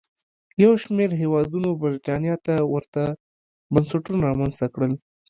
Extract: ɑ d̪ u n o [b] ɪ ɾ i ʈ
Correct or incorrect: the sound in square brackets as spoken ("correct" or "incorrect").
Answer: correct